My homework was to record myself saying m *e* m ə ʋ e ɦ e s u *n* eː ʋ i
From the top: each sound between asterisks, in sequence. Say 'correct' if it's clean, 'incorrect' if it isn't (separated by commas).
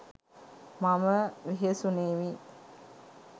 incorrect, correct